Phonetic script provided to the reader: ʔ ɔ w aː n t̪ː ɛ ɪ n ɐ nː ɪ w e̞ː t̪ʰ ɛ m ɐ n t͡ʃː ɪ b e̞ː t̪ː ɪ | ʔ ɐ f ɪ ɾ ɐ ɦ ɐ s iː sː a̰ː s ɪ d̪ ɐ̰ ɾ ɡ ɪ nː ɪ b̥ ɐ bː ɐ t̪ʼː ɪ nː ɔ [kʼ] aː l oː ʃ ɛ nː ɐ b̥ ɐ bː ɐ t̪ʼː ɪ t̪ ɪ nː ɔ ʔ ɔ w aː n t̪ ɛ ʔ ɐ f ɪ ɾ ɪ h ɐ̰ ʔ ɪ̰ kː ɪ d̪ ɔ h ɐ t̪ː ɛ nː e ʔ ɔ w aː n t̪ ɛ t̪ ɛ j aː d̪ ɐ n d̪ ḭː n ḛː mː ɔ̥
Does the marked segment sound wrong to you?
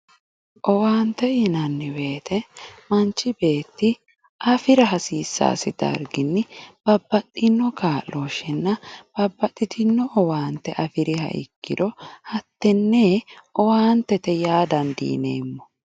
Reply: yes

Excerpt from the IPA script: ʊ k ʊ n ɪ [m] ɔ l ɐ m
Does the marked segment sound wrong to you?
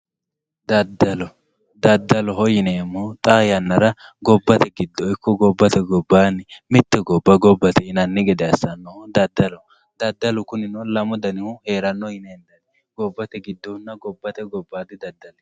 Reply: yes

